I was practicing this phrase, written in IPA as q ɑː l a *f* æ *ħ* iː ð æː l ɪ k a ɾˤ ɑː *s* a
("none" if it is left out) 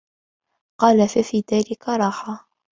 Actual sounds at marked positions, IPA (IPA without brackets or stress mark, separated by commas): f, f, ħ